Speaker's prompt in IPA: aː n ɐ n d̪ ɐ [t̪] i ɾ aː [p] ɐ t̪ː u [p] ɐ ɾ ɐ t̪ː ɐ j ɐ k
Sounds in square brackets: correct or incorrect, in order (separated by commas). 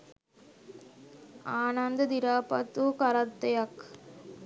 incorrect, correct, incorrect